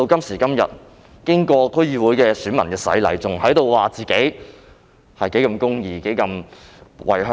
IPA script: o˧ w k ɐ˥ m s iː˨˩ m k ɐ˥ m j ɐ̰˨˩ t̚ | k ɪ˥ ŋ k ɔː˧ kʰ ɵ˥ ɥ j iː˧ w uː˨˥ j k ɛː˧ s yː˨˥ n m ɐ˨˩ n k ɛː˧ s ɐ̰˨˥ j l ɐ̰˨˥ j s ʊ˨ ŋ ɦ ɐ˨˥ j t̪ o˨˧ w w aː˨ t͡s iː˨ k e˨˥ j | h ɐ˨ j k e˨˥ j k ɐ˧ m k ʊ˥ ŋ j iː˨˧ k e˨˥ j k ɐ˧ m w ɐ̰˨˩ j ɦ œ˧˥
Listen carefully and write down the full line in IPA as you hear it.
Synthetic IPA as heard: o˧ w k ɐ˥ m s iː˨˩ k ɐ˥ m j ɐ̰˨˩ t̚ | k ɪ˥ ŋ k ɔː˧ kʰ ɵ˥ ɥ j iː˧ w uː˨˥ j k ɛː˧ s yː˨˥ n m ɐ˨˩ n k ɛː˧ s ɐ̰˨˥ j l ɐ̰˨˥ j t͡s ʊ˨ ŋ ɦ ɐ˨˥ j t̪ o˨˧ w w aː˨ t͡s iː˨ k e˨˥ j | h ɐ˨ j k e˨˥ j k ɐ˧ m k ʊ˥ ŋ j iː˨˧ k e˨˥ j k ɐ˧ m w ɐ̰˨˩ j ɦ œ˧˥